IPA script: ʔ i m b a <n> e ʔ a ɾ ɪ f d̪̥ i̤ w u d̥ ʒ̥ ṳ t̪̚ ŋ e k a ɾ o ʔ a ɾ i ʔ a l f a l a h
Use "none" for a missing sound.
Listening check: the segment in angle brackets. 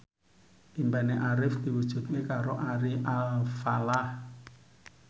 n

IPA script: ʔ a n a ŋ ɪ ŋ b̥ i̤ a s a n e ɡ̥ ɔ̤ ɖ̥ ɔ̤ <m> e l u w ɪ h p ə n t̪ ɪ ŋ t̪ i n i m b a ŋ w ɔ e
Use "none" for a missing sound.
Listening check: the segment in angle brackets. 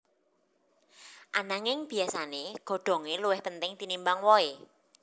ŋ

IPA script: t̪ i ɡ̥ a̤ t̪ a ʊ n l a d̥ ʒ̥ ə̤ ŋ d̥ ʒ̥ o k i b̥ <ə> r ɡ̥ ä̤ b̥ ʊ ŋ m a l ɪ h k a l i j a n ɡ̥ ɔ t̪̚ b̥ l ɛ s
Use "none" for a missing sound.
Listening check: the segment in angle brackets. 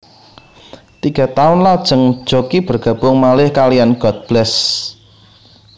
ə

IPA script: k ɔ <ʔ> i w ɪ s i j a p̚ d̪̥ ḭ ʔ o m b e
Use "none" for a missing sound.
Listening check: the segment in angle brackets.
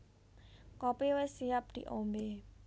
p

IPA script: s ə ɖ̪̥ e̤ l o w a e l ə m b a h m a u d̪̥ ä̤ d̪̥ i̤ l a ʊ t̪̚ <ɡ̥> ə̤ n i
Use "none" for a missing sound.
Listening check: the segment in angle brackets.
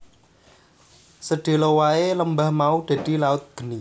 ɡ̥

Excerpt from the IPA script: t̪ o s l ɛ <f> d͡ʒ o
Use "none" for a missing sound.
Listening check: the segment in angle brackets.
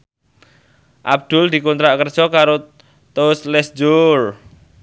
s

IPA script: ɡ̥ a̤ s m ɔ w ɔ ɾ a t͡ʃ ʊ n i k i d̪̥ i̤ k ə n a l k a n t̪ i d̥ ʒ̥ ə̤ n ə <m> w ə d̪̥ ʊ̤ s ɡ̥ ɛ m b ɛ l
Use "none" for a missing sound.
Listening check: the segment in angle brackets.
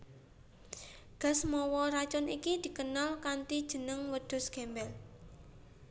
ŋ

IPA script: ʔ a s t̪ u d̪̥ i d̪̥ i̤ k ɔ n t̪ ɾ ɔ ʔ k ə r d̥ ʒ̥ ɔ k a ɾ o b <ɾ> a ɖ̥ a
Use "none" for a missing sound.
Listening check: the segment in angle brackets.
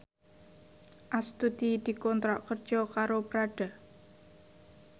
ɾ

